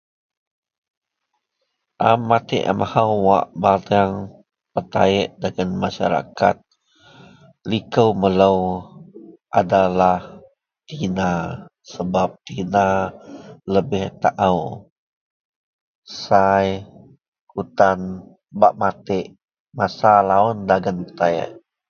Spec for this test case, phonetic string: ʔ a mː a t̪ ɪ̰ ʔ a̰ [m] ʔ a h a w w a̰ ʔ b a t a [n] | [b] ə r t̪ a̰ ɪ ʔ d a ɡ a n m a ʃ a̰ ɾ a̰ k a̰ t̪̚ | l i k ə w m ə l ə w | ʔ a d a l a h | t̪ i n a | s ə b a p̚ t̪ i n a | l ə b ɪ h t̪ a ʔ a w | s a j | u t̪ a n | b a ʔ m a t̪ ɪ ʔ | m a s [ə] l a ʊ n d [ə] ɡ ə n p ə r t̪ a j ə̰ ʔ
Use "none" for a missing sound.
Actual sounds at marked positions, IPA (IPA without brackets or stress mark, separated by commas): m, ŋ, p, a, a